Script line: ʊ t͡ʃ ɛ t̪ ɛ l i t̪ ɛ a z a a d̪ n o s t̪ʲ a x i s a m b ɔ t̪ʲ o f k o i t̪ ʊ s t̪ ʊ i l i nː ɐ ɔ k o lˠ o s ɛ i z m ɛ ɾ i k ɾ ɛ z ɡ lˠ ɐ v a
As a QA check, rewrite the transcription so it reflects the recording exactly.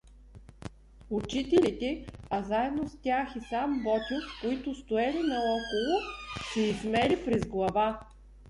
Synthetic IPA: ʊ t͡ʃ i t̪ ɛ l i t̪ ɛ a z a ɛ d̪ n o s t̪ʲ a x i s a m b ɔ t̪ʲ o f k o i t̪ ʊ s t̪ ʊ ɛ l i n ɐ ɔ k o lˠ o s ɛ i z m ɛ l i p ɾ ɛ z ɡ lˠ ɐ v a